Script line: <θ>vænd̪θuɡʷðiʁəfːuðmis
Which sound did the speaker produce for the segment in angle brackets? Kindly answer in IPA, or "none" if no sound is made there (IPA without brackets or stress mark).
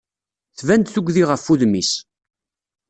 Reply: θ